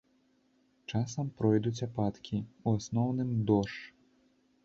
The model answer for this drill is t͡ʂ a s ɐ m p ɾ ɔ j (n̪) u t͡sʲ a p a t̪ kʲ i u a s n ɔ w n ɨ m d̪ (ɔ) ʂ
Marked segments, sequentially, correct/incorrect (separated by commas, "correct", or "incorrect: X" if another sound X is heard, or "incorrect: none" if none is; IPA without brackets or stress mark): incorrect: d̪, correct